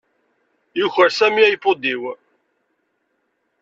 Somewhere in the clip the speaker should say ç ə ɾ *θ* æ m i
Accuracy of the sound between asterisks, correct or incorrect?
incorrect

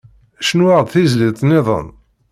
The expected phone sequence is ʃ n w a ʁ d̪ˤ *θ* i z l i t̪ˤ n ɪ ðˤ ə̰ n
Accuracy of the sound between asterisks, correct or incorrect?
correct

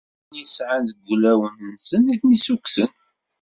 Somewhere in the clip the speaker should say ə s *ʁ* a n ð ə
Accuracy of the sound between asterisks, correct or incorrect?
incorrect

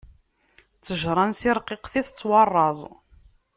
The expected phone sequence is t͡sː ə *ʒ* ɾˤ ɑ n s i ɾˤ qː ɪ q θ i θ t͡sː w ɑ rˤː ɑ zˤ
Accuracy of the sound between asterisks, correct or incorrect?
correct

